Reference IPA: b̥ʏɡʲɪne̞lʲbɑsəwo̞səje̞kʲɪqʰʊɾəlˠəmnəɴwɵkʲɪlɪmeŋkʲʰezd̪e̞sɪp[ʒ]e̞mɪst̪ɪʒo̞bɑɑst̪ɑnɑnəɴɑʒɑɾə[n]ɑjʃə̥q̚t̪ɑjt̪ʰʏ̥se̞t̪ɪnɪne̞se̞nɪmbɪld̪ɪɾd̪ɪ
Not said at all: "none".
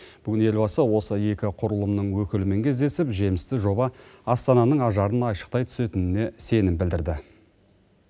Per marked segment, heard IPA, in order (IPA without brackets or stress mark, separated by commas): ʒ, n